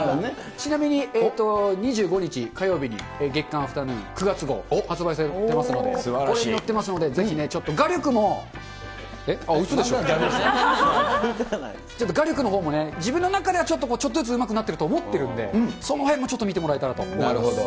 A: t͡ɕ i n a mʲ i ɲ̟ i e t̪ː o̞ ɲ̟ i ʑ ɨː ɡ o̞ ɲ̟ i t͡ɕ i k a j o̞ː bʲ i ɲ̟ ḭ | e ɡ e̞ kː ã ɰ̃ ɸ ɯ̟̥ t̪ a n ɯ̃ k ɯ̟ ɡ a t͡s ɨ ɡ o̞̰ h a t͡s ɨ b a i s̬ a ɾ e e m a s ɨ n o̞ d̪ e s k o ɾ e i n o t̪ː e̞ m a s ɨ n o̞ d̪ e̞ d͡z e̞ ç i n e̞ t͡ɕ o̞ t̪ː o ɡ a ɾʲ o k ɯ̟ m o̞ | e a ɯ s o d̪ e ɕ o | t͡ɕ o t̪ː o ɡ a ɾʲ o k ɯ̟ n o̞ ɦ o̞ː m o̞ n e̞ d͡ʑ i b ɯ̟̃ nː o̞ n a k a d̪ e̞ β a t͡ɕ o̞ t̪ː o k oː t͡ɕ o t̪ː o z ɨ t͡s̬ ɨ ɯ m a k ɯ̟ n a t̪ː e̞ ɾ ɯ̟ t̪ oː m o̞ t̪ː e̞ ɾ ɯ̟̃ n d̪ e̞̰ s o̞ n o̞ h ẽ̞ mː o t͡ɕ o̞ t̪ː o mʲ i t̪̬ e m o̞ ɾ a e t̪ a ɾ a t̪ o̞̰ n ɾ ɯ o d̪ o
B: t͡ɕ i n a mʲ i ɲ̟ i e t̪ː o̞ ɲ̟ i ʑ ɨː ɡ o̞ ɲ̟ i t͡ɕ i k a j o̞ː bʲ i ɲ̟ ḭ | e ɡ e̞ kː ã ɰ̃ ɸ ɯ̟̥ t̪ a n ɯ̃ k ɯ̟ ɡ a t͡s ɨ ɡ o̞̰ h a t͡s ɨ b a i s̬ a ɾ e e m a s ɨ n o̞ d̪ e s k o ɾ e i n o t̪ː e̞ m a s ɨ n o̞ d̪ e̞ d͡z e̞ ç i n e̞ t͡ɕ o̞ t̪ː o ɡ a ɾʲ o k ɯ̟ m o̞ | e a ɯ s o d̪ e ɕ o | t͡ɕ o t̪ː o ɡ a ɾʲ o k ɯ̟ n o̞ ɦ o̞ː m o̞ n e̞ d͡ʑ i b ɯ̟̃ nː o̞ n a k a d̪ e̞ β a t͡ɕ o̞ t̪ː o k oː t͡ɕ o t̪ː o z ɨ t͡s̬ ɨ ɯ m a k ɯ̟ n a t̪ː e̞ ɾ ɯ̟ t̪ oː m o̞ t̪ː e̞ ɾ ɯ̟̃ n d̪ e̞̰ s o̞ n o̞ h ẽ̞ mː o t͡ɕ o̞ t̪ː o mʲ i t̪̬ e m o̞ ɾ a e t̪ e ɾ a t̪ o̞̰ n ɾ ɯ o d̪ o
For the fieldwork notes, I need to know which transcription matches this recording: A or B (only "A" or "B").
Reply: A